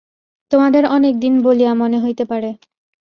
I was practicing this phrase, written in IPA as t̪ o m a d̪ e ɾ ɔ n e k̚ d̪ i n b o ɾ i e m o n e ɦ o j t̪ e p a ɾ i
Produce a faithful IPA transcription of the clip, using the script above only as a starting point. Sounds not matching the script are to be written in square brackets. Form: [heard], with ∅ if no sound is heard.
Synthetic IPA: t̪ o m a d̪ e ɾ ɔ n e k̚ d̪ i n b o [l] i [a] m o n e ɦ o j t̪ e p a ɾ [e]